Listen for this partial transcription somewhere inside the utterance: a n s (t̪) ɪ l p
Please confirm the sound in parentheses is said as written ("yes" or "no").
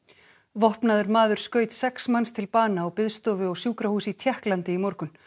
no